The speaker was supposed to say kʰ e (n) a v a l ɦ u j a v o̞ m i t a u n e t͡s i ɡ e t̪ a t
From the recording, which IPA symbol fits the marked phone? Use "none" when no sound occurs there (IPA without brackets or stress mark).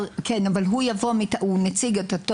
n